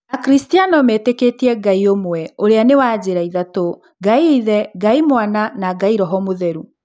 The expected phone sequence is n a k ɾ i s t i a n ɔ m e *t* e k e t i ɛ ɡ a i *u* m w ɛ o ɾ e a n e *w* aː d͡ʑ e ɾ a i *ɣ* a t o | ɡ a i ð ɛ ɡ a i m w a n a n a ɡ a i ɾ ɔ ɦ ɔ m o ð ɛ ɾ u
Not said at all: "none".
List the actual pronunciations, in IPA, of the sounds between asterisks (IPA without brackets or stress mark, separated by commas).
t, o, w, ð